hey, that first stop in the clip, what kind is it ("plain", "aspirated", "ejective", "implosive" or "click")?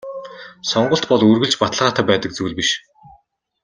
plain